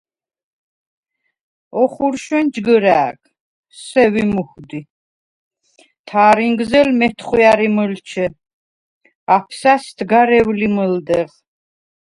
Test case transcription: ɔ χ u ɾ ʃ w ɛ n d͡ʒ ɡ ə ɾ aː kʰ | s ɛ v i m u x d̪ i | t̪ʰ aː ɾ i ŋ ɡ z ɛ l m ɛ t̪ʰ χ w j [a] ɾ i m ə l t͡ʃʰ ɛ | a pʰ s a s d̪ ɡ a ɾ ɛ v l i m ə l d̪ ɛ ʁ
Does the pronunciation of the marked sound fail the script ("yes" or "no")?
no